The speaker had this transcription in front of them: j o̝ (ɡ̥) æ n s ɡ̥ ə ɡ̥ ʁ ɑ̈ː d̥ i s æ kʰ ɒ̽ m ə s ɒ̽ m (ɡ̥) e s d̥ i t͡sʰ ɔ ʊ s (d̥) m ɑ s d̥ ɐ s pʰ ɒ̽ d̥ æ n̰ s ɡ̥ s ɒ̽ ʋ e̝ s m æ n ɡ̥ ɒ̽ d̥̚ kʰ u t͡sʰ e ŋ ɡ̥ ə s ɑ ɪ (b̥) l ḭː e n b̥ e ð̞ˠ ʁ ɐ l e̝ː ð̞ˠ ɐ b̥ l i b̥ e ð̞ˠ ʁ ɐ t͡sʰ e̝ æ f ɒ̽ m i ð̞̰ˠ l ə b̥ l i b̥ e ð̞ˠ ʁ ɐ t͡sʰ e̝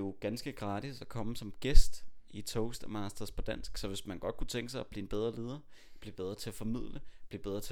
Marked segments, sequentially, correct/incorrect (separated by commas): correct, correct, correct, correct